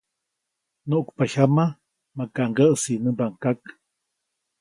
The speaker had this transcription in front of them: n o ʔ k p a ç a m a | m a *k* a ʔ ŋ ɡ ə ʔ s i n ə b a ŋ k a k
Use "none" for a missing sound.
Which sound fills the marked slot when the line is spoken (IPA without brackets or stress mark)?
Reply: k